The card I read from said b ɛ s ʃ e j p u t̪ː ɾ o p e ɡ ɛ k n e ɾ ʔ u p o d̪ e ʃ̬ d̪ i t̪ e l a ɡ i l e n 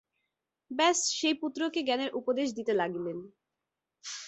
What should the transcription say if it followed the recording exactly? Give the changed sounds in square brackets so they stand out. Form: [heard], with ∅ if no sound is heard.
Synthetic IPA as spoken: b ɛ s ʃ e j p u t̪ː ɾ o [k] e ɡ ɛ [∅] n e ɾ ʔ u p o d̪ e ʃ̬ d̪ i t̪ e l a ɡ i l e n